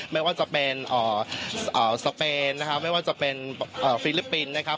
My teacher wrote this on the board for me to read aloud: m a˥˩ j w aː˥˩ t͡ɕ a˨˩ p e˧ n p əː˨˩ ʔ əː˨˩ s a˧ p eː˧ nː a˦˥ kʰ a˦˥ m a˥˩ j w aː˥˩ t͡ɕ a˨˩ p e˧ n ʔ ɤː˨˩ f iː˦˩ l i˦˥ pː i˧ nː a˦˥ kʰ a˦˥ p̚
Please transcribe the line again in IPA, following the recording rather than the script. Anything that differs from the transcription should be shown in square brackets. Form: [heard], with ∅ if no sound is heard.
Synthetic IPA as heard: m a˥˩ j w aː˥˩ t͡ɕ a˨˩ p e˧ n [ʔ] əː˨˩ ʔ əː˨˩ s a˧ p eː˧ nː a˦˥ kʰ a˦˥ m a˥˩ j w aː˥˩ t͡ɕ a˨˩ p e˧ n ʔ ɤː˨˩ f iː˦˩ l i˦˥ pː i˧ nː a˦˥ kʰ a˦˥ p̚